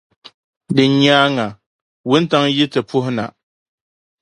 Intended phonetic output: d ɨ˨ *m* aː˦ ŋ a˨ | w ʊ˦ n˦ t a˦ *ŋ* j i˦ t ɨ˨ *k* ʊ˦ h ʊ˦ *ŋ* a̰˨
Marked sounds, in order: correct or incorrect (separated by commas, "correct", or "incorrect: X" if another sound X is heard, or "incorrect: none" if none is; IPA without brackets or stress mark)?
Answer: incorrect: ɲ, correct, incorrect: p, incorrect: n